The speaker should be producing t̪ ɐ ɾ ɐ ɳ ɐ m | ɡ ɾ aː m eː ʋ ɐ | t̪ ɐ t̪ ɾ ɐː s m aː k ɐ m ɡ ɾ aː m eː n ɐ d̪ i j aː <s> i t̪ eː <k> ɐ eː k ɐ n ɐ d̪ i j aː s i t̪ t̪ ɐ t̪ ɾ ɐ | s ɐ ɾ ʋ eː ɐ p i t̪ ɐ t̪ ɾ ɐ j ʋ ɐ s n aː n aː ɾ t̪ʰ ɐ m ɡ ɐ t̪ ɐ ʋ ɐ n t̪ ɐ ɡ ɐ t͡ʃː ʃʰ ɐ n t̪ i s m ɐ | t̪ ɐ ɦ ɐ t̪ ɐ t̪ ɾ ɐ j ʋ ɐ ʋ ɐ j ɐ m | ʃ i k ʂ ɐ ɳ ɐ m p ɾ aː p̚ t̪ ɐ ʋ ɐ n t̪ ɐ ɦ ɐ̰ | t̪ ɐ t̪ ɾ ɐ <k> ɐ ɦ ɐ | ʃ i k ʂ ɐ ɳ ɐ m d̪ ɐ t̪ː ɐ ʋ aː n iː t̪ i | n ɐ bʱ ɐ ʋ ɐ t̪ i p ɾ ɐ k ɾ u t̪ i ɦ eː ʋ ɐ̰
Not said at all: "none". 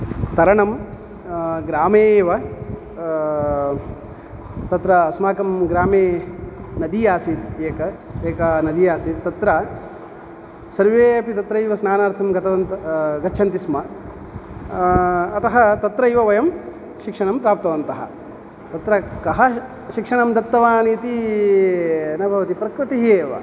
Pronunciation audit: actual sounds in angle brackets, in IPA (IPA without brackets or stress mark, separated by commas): s, k, k